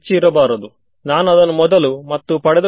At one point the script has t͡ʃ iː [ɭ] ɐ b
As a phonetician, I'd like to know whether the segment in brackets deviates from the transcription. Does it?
yes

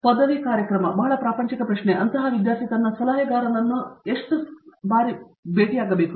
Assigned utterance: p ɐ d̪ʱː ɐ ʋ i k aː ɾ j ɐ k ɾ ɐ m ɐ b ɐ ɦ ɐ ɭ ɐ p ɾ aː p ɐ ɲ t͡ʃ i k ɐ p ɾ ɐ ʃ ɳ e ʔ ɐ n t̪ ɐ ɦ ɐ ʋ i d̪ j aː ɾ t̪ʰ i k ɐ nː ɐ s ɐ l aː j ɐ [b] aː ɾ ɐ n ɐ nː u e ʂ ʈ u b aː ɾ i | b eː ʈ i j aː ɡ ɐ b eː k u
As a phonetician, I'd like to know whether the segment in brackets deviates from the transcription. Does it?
yes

